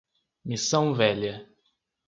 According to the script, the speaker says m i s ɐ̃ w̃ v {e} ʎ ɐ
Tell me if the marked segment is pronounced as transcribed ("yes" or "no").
no